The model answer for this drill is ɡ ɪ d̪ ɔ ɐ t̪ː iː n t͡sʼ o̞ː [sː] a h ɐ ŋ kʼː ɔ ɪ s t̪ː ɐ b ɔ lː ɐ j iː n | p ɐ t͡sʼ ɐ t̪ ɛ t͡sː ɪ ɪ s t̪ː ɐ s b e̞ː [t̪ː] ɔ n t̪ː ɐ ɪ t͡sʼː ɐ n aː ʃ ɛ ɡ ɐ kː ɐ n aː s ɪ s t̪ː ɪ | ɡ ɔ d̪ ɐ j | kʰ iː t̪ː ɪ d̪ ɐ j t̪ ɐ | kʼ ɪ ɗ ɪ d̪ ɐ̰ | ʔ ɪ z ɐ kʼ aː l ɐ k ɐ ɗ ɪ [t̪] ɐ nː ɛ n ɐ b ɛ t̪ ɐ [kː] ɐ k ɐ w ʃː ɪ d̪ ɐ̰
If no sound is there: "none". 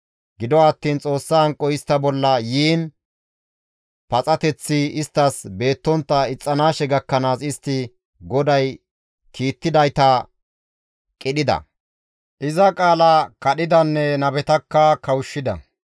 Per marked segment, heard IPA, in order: sː, t̪ː, d̪, kː

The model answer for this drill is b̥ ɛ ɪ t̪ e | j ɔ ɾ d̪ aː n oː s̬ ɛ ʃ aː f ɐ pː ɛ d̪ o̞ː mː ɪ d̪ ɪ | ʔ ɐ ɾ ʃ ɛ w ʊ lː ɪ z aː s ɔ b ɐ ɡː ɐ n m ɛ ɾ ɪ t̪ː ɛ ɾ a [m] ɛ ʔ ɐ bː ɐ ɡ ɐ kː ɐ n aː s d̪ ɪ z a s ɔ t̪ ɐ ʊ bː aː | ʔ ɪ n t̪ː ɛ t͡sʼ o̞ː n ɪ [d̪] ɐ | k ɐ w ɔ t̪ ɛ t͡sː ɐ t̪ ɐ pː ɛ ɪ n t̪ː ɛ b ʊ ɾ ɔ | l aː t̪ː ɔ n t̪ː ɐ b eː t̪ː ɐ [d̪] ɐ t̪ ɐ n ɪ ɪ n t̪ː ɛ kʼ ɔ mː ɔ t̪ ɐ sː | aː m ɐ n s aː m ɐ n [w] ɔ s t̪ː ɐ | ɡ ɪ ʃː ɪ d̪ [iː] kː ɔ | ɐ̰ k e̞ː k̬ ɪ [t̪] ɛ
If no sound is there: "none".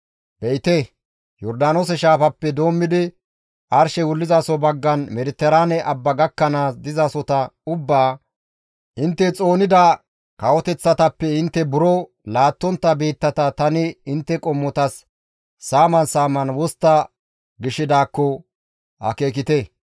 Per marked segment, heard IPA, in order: n, d̪, t̪, w, aː, t̪

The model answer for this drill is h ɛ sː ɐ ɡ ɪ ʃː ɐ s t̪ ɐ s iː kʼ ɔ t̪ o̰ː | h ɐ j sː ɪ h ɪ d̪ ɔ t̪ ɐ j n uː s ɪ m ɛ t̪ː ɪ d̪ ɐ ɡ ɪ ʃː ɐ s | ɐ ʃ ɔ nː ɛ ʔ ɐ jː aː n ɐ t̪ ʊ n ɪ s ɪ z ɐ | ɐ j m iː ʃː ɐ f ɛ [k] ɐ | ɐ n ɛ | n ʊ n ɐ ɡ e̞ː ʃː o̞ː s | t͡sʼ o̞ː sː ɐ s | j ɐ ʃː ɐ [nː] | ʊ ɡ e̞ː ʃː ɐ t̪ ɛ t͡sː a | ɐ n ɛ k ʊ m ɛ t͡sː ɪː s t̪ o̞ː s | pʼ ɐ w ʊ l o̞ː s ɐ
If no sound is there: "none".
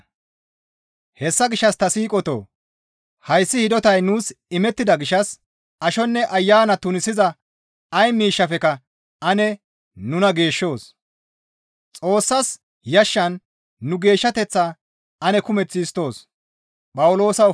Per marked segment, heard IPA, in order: k, nː

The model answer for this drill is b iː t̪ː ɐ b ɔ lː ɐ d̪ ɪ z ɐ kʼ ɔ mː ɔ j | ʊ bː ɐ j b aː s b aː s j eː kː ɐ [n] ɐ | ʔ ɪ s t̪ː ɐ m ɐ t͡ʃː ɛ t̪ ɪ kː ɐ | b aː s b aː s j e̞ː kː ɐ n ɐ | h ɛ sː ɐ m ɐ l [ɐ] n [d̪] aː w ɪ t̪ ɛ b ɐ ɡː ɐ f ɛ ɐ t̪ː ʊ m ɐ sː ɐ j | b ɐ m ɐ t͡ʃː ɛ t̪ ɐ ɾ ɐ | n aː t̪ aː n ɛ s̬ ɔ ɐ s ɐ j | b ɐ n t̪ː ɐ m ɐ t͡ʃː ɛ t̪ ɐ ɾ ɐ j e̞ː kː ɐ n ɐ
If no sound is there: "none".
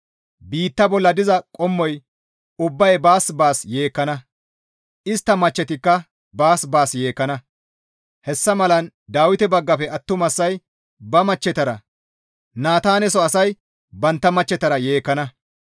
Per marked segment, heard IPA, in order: n, ɐ, d̪

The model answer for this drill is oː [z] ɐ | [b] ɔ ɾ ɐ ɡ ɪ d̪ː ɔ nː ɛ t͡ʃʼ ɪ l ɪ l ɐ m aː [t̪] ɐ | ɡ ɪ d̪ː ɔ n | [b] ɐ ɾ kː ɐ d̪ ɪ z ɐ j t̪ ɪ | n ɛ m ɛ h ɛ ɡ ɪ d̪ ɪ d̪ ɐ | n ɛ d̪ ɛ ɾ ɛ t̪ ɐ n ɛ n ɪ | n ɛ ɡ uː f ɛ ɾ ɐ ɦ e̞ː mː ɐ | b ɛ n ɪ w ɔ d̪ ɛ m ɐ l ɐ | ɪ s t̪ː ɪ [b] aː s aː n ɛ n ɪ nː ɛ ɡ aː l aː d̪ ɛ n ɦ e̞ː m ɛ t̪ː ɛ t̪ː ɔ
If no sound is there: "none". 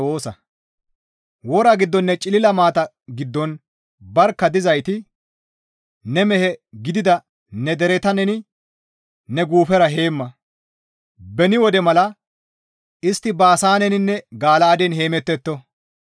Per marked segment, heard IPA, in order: s, w, t̪, b, b

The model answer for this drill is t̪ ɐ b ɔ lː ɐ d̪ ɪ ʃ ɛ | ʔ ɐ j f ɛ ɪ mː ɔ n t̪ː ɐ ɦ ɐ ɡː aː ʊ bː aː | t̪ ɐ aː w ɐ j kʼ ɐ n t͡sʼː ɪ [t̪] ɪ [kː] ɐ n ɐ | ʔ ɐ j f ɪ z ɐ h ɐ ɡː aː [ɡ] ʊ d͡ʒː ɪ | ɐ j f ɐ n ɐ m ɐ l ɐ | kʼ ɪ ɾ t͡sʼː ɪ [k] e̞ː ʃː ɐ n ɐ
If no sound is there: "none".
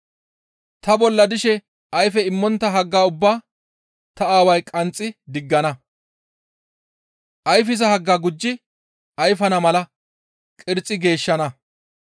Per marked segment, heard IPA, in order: d̪, ɡː, ɡ, ɡ

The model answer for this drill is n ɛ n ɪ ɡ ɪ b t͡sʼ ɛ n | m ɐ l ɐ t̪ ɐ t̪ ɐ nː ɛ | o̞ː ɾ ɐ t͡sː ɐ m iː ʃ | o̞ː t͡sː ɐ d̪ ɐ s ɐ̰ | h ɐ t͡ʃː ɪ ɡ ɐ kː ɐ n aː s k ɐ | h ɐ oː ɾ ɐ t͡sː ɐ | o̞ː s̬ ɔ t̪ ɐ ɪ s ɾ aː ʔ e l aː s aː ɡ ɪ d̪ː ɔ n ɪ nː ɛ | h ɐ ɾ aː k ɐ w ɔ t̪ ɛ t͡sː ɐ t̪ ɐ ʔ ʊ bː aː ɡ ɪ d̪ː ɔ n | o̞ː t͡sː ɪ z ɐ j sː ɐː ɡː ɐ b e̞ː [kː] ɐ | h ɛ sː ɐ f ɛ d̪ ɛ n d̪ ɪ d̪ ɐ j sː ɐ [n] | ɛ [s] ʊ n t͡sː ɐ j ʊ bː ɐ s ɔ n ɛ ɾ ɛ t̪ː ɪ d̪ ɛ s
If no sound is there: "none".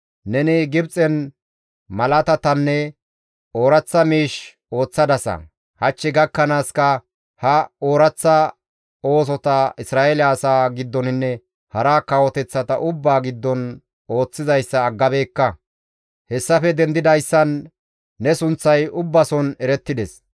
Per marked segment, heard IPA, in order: kː, nː, s

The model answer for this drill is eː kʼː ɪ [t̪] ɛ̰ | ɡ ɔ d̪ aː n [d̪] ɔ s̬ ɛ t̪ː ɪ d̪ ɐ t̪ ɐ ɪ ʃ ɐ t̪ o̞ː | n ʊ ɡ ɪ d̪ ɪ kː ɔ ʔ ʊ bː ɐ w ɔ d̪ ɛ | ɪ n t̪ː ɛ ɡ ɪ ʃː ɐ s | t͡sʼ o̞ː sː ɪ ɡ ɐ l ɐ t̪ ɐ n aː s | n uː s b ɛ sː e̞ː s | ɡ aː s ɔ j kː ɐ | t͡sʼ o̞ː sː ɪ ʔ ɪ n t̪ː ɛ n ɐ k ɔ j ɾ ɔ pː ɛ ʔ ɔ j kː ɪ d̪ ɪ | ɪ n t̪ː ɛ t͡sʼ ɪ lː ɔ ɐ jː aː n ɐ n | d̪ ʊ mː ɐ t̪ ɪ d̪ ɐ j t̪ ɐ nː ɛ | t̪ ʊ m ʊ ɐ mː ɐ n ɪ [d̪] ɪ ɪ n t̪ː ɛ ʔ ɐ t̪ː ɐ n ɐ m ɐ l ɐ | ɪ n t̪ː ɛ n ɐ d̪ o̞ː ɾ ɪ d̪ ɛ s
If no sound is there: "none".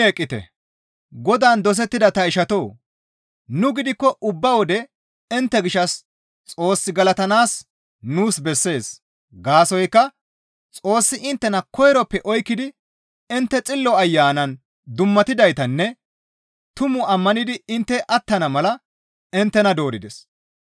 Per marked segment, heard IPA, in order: t̪, d̪, d̪

